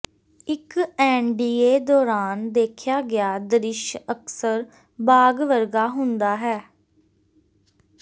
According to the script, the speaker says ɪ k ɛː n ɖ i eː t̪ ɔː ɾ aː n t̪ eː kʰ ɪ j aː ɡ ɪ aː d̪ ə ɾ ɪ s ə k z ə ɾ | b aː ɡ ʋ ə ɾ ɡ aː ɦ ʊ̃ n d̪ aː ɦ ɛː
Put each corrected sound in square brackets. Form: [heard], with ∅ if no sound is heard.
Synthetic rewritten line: ɪ k ɛː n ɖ [iː] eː [d̪] ɔː ɾ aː n [d̪] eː kʰ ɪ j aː ɡ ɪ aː d̪ ə ɾ ɪ [ʃ] ə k [s] ə ɾ | b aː ɡ ʋ ə ɾ ɡ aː ɦ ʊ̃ n d̪ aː ɦ ɛː

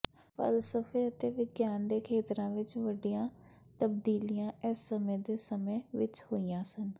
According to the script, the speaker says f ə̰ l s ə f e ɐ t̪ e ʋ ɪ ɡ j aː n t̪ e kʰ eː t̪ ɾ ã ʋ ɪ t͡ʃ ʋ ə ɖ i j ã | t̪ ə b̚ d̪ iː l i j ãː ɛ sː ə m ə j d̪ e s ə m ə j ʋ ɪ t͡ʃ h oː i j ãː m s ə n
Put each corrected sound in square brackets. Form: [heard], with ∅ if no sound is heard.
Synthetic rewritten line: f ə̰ l s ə f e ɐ t̪ e ʋ ɪ ɡ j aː n [d̪] e kʰ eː t̪ ɾ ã ʋ ɪ t͡ʃ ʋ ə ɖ i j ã | t̪ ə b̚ d̪ iː l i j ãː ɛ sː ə m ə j d̪ e s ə m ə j ʋ ɪ t͡ʃ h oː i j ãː [∅] s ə n

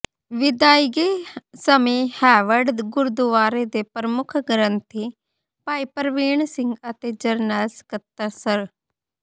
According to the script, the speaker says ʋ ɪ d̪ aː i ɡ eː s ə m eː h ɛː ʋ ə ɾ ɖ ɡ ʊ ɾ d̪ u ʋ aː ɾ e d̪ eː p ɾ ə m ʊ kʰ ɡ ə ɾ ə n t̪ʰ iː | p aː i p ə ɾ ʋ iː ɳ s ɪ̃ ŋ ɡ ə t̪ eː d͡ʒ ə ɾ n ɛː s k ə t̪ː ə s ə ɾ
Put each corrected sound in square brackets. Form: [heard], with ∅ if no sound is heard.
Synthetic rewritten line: ʋ ɪ d̪ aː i ɡ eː s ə m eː h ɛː ʋ ə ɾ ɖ ɡ ʊ ɾ d̪ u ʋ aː ɾ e d̪ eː p ɾ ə m ʊ kʰ ɡ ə ɾ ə n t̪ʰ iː | p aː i p ə ɾ ʋ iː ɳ s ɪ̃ ŋ ɡ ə t̪ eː d͡ʒ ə ɾ n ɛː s k ə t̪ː ə s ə ɾ

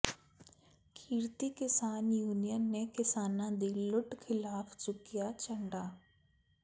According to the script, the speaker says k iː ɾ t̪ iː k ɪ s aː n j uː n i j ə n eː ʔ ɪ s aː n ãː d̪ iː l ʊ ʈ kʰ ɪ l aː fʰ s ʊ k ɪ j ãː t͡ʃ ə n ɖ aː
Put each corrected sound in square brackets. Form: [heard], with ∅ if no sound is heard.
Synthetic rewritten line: [kʰ] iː ɾ t̪ iː k ɪ s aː n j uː n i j ə [nː] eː [k] ɪ s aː n ãː d̪ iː l ʊ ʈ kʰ ɪ l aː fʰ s ʊ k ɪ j [aː] t͡ʃ ə [ɳ] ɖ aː

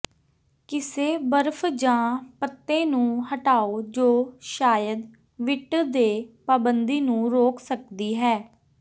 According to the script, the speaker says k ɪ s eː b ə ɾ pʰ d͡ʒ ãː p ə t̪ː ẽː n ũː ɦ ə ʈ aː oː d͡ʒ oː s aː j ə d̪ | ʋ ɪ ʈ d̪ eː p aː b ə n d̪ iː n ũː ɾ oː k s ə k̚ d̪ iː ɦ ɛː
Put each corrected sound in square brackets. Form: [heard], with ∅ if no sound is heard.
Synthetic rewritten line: k ɪ s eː b ə ɾ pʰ d͡ʒ ãː p ə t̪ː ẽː n ũː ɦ ə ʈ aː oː d͡ʒ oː [ʃ] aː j ə d̪ | ʋ ɪ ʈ d̪ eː p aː b ə n d̪ iː n ũː ɾ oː k s ə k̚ d̪ iː ɦ ɛː

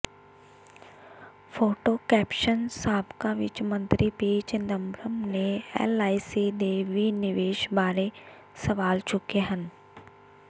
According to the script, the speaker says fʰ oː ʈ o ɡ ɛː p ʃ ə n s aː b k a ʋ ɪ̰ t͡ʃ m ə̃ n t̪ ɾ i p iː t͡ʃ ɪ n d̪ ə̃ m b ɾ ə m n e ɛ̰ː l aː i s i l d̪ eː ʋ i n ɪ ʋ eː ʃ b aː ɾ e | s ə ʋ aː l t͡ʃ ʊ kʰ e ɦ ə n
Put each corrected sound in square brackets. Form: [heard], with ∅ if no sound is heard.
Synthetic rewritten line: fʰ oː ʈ o [k] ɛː p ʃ ə n s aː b k a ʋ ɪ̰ t͡ʃ m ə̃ n t̪ ɾ i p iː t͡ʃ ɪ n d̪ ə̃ m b ɾ ə m n e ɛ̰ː l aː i s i [∅] d̪ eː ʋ i n ɪ ʋ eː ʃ b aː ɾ e | s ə ʋ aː l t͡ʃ ʊ [k] e ɦ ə n

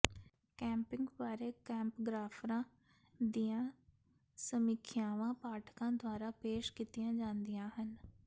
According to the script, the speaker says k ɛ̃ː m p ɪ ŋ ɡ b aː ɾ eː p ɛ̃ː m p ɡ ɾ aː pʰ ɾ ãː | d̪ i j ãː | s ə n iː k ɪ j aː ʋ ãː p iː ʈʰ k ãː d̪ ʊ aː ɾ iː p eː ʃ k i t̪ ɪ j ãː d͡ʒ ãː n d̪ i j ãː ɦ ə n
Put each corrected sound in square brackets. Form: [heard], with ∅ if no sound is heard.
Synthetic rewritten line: k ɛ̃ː m p ɪ ŋ ɡ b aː ɾ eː [k] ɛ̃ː m p ɡ ɾ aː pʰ ɾ ãː | d̪ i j ãː | s ə [m] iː [kʰ] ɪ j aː ʋ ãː p [aː] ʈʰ k ãː d̪ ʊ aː ɾ [aː] p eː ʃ k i t̪ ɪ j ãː d͡ʒ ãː n d̪ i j ãː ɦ ə n

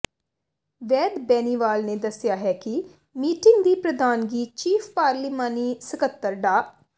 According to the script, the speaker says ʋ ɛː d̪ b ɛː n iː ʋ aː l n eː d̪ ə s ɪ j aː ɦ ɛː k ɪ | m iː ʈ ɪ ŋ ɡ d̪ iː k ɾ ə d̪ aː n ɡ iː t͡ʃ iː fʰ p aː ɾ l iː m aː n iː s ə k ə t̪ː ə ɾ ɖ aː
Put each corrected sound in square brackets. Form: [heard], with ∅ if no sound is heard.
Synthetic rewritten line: ʋ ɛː d̪ b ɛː n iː ʋ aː l n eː d̪ ə s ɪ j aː ɦ ɛː k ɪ | m iː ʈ ɪ ŋ ɡ d̪ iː [p] ɾ ə d̪ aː n ɡ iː t͡ʃ iː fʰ p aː ɾ l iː m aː n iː s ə k ə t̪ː ə ɾ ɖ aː

